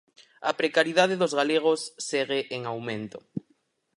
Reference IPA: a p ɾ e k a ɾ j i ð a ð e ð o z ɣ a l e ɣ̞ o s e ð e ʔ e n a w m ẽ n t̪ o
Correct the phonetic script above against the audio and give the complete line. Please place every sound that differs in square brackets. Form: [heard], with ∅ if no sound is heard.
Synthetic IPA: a p ɾ e k a ɾ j i ð a ð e ð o z ɣ a l e ɣ̞ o [sː] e [ɣ] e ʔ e [ŋ] a w m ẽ n t̪ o